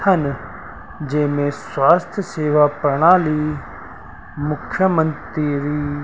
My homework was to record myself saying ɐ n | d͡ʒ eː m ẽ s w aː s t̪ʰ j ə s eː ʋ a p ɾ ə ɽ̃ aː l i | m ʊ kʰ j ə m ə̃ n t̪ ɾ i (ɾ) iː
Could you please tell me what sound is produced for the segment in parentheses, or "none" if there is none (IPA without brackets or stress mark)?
ɾ